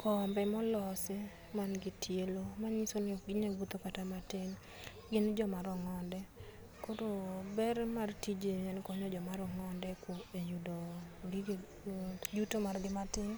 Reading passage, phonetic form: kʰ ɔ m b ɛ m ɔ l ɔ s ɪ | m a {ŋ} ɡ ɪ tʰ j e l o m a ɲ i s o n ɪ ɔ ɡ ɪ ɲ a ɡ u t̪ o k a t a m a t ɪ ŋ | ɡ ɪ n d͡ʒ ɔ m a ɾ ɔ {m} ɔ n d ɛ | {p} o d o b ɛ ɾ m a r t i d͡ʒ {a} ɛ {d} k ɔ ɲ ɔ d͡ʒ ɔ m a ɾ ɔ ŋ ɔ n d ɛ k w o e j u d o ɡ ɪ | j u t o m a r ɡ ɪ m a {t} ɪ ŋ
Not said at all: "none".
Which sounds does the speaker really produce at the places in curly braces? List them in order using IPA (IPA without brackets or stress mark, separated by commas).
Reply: n, ŋ, k, e, n, t